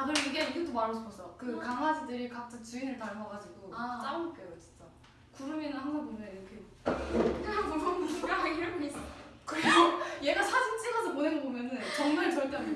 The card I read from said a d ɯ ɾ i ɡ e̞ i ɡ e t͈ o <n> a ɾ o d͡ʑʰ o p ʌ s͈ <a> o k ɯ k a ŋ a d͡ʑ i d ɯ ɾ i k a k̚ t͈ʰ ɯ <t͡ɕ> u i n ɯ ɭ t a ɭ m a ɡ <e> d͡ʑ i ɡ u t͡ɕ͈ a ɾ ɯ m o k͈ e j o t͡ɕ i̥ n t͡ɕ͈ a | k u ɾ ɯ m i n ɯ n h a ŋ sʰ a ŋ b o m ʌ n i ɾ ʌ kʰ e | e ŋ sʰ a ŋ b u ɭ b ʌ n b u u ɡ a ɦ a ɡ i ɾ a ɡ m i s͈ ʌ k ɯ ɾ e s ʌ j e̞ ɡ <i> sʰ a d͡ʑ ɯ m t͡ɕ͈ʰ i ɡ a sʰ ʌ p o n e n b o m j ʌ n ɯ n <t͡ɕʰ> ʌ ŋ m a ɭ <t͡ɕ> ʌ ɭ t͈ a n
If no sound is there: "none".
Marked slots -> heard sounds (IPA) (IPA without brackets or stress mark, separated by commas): m, ʌ, t͡ɕ, a, a, t͡ɕ, t͡ɕ